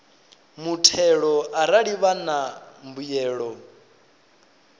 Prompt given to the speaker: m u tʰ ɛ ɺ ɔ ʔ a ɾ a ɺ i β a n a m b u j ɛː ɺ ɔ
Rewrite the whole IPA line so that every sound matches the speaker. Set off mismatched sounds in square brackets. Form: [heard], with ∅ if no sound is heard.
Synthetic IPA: m u tʰ ɛ ɺ ɔ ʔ a ɾ a ɺ i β a n a m b u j ɛː ɺ ɔ